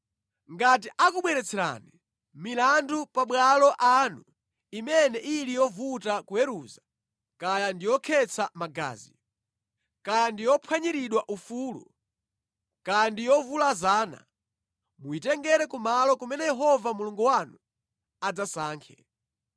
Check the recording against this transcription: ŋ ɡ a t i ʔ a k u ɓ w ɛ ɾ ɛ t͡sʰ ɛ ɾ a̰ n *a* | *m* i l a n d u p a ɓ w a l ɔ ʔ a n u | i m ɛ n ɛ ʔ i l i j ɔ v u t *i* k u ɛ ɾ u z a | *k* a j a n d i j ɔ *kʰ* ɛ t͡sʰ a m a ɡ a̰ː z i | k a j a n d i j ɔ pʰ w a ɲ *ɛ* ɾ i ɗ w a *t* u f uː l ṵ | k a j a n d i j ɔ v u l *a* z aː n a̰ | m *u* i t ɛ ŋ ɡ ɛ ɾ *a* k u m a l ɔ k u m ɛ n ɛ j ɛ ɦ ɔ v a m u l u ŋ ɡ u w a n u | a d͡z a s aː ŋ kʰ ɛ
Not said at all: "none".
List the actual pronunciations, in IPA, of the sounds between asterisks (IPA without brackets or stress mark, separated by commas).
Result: i, m, a, k, kʰ, i, ʔ, a, u, ɛ